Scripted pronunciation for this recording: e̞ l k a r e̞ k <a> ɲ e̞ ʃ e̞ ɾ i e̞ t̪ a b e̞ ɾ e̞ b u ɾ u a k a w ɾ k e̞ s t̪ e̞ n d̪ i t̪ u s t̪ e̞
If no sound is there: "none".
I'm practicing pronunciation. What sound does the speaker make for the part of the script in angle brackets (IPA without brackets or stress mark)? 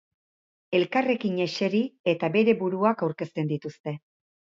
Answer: i